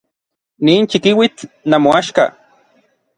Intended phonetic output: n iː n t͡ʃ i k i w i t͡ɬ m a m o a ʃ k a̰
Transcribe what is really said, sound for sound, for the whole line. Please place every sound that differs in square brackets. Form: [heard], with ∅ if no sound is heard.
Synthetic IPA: n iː n t͡ʃ i k i w i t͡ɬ [n] a m o a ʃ k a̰